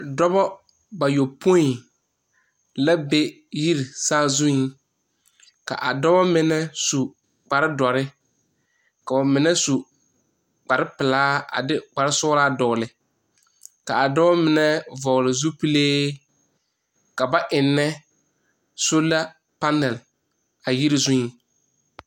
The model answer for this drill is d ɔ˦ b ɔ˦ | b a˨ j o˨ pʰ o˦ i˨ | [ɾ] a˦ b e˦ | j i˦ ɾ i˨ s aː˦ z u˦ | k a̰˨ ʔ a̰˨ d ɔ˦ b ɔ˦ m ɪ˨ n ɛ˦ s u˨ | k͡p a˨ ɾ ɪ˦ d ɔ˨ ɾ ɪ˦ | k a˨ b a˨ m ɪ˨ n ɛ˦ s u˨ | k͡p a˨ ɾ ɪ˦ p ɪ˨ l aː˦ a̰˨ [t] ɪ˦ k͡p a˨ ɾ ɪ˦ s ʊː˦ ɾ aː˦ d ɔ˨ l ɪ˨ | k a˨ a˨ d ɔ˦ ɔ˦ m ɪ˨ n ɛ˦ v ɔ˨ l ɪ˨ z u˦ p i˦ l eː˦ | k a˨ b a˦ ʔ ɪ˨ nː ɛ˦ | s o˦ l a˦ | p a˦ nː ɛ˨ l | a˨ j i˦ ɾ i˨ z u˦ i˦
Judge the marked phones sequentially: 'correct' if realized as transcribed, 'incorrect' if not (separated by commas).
incorrect, incorrect